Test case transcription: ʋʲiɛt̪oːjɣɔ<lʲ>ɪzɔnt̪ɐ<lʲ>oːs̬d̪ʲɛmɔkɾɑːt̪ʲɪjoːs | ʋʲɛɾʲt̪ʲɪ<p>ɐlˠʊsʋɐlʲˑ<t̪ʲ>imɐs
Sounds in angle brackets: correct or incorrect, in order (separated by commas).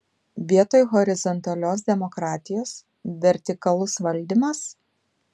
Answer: incorrect, correct, incorrect, incorrect